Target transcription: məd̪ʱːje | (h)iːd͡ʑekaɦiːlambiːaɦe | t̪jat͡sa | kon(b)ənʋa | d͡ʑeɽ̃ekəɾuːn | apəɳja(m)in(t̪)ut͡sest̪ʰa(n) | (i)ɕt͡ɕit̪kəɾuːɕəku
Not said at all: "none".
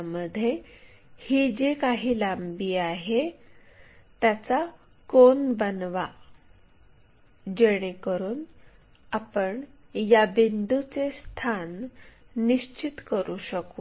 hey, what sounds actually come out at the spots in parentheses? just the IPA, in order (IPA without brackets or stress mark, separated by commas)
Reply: h, b, b, d̪, nː, i